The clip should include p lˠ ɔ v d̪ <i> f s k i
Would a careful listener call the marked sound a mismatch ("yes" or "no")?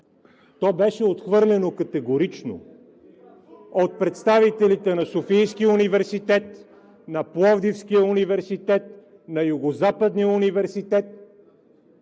no